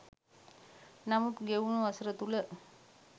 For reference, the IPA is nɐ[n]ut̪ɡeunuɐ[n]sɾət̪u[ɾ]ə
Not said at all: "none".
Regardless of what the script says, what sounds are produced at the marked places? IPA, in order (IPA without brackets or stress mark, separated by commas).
m, none, l